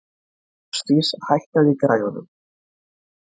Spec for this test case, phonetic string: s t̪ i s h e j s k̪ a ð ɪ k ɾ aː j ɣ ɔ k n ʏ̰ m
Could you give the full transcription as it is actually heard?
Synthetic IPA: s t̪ i s h a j h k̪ a ð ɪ k ɾ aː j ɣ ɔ n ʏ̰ m